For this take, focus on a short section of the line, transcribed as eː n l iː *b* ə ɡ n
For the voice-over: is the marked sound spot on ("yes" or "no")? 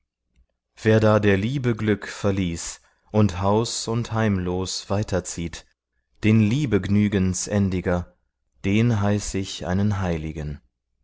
yes